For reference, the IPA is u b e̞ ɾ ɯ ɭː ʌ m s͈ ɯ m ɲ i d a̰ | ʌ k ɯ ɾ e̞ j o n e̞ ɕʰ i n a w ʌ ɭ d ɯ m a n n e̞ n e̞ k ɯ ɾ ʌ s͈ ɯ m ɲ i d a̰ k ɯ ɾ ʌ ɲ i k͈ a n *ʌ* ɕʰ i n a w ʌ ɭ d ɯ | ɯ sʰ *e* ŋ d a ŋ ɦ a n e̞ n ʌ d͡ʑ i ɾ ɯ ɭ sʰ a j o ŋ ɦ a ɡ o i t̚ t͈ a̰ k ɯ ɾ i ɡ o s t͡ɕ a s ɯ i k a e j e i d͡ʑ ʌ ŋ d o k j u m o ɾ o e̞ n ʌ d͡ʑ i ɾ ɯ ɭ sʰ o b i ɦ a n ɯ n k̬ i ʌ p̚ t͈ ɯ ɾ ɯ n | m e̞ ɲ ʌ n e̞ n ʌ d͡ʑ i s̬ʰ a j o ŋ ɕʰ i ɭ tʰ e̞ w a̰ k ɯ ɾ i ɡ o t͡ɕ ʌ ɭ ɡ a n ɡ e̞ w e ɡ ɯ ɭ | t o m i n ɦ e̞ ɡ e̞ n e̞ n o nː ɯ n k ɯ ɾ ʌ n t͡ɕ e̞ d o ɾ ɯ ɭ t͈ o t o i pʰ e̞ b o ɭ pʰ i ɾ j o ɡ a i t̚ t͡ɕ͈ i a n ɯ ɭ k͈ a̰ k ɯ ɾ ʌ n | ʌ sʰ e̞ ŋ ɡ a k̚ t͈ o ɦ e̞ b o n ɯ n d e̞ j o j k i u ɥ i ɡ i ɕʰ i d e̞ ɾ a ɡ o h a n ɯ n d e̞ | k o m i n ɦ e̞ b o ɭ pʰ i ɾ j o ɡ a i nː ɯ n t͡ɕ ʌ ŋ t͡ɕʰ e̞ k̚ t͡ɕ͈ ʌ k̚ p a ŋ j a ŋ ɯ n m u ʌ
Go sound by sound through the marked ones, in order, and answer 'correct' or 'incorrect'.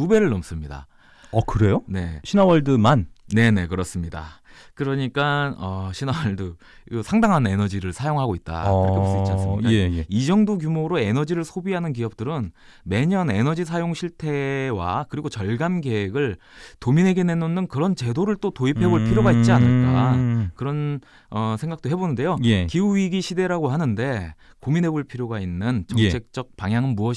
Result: correct, incorrect

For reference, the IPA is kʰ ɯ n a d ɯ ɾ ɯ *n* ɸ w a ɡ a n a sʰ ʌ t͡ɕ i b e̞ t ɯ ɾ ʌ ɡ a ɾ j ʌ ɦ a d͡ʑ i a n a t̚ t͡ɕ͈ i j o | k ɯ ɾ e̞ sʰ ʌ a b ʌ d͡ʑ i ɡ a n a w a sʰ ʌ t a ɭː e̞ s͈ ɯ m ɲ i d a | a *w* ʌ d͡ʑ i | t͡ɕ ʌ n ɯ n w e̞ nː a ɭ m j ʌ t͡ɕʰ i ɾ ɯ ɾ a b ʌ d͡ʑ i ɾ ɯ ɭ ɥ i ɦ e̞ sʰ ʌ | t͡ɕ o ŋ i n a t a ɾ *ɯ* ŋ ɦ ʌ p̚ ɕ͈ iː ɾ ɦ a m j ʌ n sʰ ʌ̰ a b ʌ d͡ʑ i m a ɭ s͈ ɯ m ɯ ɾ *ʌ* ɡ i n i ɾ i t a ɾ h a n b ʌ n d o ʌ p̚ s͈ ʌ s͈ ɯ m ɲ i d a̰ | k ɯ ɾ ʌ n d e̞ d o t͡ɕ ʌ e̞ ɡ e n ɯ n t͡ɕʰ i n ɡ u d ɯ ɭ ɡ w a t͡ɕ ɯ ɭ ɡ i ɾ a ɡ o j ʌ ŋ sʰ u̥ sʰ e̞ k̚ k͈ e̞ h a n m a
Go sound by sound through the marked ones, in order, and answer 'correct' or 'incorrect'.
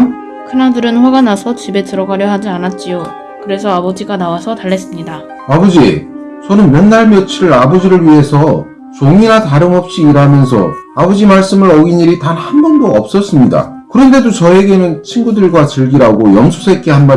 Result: correct, incorrect, correct, correct

